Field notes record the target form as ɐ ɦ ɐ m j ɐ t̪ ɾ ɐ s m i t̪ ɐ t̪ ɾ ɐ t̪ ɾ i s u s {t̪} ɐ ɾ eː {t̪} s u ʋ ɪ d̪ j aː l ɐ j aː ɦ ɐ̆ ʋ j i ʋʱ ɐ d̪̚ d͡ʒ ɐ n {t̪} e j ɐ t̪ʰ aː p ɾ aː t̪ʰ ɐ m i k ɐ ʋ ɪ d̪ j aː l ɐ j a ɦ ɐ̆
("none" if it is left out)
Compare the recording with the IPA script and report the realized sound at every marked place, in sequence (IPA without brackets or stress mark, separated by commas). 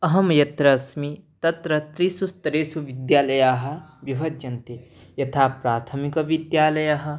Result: t̪, none, t̪